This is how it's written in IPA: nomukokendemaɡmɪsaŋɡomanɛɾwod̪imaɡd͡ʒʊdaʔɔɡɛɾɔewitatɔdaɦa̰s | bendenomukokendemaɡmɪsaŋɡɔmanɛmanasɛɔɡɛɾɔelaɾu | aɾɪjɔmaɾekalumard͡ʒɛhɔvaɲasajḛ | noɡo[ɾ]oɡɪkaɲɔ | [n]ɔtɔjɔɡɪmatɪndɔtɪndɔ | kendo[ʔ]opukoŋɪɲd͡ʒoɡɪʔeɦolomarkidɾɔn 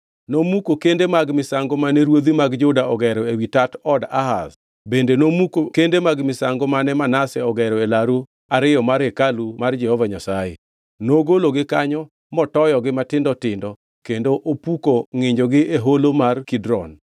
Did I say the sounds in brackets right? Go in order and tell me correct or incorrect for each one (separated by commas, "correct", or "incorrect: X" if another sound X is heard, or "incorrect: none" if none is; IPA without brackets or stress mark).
incorrect: l, incorrect: m, correct